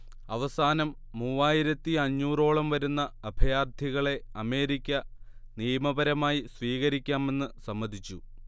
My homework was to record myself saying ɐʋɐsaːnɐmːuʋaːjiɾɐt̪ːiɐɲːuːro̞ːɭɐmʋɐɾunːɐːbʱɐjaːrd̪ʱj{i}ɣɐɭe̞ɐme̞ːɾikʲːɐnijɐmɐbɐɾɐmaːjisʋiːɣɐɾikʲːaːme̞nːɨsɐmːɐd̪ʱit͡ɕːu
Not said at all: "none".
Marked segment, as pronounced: i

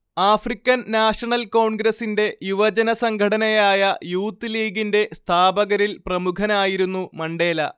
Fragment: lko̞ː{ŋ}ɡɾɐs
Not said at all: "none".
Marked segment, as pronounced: ɳ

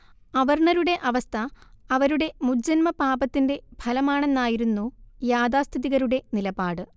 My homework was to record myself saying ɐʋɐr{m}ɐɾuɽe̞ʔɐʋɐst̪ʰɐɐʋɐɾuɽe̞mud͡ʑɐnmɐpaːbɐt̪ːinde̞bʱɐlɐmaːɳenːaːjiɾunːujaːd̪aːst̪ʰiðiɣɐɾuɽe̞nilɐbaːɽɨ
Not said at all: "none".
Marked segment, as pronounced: ɳ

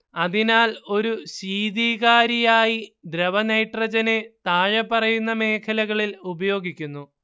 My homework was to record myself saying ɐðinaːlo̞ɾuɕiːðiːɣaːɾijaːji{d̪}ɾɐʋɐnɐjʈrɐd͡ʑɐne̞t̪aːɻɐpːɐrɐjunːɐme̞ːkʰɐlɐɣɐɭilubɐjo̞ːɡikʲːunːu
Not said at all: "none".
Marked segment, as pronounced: d̪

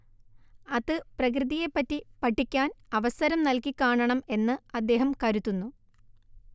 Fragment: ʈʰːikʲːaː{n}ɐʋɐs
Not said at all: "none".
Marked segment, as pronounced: n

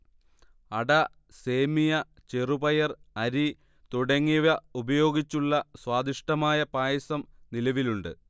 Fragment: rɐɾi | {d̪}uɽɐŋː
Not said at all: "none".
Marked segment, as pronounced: t̪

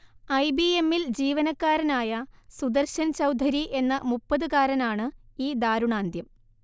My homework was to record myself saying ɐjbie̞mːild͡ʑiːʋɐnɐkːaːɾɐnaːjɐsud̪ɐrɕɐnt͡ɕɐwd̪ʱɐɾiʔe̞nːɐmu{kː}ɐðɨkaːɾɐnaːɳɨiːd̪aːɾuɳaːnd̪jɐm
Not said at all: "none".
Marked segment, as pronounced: pː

